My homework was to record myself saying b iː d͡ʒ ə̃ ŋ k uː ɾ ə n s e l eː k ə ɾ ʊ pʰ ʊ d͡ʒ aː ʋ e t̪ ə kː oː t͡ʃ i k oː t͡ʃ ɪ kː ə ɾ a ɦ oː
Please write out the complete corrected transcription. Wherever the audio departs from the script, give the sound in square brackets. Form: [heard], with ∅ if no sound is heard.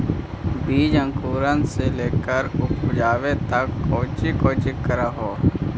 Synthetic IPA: b iː d͡ʒ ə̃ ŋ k uː ɾ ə n s e l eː k ə ɾ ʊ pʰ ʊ d͡ʒ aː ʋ e t̪ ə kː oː t͡ʃ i k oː t͡ʃ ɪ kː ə ɾ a ɦ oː